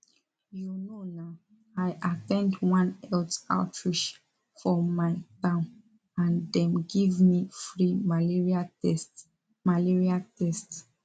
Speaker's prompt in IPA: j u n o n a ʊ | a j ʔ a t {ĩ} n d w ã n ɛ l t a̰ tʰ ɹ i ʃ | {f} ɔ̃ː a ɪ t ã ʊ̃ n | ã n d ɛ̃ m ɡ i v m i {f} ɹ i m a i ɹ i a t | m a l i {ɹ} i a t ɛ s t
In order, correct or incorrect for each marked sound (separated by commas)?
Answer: incorrect, correct, correct, correct